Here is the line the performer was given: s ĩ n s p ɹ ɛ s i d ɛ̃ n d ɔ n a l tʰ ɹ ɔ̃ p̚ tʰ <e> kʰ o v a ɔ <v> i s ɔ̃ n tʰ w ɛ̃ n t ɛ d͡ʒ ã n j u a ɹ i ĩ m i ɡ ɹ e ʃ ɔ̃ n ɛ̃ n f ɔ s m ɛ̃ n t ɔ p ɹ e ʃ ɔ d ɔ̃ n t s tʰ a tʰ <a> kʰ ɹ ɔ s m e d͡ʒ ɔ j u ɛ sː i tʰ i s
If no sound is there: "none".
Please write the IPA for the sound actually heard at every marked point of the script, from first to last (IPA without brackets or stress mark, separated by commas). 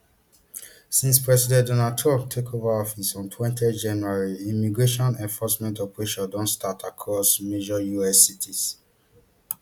e, f, a